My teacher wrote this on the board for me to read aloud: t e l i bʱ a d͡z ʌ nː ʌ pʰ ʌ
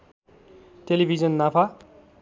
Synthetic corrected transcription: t e l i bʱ i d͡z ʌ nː a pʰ a